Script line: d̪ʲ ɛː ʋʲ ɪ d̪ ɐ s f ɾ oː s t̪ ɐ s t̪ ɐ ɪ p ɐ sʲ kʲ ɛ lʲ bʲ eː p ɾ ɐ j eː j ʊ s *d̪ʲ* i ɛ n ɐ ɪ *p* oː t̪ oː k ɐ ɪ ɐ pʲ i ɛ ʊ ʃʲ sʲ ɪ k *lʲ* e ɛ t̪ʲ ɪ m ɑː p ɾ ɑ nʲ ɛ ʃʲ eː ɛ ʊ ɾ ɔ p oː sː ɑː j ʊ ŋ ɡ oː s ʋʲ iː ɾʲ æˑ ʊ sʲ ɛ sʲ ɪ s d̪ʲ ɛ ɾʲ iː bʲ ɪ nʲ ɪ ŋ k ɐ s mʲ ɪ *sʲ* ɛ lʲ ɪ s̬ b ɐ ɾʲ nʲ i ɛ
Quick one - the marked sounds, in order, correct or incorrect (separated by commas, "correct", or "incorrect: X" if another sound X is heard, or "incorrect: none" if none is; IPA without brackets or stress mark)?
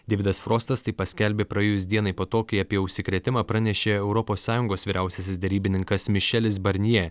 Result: correct, correct, incorrect: ɾʲ, incorrect: ʃʲ